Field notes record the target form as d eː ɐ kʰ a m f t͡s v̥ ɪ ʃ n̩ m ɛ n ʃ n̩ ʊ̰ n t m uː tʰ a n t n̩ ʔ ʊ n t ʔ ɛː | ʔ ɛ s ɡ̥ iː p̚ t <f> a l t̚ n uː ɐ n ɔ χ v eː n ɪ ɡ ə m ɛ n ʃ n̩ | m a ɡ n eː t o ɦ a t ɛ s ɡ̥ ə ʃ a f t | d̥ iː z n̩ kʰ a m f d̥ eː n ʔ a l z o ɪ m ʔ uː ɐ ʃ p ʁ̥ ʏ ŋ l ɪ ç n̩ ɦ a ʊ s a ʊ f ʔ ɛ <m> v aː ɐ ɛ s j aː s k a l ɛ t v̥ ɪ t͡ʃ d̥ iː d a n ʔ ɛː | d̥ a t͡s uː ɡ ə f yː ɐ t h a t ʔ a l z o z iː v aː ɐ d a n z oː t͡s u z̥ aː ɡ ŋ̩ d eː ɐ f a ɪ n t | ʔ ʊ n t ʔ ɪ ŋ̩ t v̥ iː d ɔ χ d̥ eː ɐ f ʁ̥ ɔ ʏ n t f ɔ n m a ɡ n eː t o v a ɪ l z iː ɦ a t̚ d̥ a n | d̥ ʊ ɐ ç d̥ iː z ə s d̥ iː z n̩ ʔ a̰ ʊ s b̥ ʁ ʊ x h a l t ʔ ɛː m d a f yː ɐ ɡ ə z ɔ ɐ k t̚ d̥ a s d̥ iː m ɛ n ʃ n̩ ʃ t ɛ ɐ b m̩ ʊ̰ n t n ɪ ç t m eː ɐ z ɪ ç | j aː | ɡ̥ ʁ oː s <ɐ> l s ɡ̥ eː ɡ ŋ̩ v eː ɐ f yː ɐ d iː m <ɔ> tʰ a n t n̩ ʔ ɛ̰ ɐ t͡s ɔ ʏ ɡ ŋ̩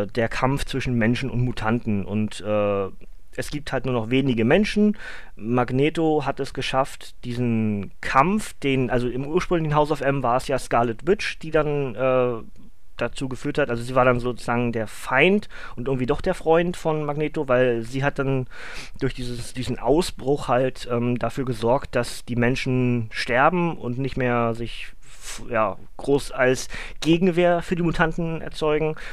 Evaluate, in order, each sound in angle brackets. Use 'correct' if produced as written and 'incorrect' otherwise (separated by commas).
incorrect, correct, incorrect, incorrect